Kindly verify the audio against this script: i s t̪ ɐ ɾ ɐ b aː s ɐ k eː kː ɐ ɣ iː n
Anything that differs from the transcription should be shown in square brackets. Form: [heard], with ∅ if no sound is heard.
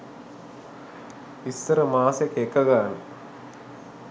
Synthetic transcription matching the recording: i s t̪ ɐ ɾ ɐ [m] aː s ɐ k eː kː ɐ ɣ [aː] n